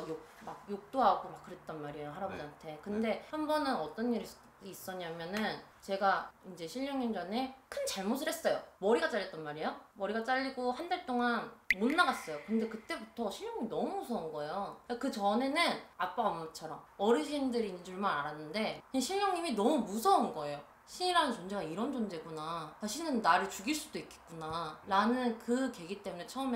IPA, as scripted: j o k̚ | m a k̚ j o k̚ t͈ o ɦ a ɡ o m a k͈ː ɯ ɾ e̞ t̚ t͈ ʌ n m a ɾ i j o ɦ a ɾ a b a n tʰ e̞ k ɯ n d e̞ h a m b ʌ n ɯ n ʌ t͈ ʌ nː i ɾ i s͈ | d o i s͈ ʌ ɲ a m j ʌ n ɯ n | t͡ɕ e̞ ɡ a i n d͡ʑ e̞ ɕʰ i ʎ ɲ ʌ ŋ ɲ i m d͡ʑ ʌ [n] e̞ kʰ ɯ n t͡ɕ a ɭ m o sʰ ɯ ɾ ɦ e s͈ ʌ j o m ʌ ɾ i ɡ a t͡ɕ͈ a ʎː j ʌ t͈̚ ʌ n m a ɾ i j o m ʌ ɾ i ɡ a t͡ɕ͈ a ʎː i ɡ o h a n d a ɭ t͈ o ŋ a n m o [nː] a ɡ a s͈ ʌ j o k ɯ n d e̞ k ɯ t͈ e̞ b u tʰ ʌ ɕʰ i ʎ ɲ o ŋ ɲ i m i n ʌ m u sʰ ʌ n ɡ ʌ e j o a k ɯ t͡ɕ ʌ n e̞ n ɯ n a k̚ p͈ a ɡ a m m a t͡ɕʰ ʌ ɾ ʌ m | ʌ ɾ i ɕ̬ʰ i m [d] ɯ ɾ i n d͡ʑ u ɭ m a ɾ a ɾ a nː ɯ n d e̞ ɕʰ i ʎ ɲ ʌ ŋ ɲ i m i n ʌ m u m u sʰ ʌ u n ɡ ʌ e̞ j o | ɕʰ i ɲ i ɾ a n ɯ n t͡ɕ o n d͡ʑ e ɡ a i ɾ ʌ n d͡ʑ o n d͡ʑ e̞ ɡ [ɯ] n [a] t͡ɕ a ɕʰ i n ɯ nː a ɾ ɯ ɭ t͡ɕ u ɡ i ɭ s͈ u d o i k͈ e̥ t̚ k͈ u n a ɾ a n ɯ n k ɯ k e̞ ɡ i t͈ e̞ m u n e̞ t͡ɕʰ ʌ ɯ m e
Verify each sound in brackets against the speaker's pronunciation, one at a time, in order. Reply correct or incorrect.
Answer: correct, correct, correct, incorrect: u, correct

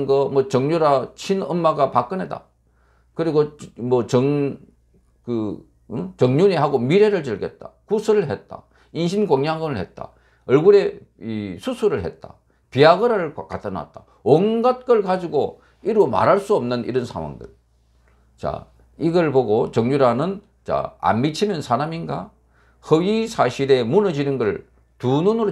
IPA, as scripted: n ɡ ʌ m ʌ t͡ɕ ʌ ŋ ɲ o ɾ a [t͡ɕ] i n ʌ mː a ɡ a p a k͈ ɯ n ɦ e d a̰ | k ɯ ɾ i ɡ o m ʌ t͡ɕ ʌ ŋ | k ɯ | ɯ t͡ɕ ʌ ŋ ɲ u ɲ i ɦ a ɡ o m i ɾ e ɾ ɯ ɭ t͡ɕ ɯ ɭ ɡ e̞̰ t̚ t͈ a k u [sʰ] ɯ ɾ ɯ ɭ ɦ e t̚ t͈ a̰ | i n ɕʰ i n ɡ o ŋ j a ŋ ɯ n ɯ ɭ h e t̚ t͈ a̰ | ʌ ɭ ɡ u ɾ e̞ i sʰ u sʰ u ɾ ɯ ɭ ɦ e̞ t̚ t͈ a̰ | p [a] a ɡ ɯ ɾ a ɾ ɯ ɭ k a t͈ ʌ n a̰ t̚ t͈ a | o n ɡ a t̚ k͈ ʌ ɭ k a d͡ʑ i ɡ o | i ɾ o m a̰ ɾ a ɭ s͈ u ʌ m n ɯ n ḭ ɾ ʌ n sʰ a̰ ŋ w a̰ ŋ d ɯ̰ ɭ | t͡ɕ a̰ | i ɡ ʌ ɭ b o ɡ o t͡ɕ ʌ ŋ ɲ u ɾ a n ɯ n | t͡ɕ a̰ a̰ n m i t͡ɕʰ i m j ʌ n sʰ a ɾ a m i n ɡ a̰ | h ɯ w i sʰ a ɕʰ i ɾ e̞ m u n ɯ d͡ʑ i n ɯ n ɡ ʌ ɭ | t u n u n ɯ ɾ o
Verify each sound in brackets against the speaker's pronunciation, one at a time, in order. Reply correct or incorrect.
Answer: incorrect: t͡ɕʰ, correct, incorrect: i

